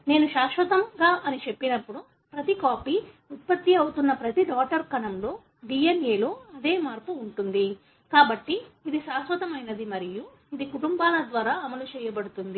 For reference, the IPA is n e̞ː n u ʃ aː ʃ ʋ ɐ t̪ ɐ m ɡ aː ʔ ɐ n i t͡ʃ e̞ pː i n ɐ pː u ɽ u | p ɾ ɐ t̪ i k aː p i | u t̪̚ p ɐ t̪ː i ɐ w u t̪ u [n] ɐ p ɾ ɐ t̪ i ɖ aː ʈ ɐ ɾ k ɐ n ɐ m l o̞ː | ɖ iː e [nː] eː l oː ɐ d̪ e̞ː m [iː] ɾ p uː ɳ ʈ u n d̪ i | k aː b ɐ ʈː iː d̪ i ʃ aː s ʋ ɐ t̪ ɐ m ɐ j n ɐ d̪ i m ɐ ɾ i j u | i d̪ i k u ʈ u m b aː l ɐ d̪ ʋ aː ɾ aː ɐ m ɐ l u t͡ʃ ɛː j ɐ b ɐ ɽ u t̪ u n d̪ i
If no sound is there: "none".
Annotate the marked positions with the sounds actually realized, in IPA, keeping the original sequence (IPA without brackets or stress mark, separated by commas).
nː, n, aː